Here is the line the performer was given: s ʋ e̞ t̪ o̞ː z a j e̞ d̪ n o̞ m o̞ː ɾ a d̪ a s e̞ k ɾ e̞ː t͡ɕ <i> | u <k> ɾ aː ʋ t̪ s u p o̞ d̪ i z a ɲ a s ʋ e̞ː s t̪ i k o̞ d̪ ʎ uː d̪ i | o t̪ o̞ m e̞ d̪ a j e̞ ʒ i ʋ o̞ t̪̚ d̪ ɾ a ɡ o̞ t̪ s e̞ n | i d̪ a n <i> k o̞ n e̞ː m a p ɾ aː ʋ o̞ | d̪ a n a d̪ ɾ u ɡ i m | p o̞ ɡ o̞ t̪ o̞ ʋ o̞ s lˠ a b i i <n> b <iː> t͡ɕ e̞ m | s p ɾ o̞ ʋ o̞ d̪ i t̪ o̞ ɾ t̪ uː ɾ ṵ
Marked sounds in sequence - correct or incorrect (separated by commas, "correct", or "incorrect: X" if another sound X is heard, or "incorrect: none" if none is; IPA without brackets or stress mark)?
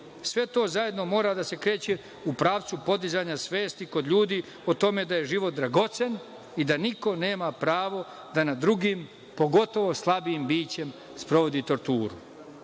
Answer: incorrect: e, incorrect: p, correct, incorrect: m, correct